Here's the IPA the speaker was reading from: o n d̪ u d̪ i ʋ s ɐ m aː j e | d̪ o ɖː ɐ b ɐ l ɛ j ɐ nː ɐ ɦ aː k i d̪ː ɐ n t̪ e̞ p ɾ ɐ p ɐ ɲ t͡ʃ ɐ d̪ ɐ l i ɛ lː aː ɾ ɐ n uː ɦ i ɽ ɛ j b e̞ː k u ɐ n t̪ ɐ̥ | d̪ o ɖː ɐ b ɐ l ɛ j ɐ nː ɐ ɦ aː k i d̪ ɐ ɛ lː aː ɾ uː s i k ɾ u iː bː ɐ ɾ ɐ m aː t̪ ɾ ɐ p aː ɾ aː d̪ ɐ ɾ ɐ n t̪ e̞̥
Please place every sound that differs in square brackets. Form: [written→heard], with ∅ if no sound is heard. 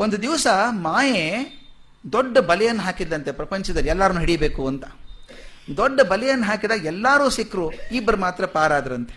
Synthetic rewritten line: o n d̪ u d̪ i ʋ s ɐ m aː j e | d̪ o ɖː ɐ b ɐ l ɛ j ɐ nː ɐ ɦ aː k i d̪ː ɐ n t̪ e̞ p ɾ ɐ p ɐ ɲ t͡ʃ ɐ d̪ ɐ l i ɛ lː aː ɾ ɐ n uː ɦ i ɽ [ɛ→i] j b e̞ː k u ɐ n t̪ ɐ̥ | d̪ o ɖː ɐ b ɐ l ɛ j ɐ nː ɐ ɦ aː k i d̪ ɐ ɛ lː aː ɾ uː s i k ɾ u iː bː ɐ ɾ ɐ m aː t̪ ɾ ɐ p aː ɾ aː d̪ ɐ ɾ ɐ n t̪ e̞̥